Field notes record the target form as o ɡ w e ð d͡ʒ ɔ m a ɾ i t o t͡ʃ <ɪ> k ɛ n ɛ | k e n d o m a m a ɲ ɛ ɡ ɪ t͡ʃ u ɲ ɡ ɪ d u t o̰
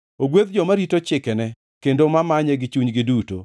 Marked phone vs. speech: correct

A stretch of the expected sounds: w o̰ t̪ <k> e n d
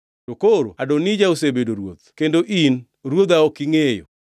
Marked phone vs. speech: correct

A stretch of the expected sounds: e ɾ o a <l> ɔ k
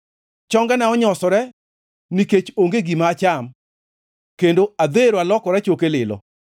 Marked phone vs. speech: correct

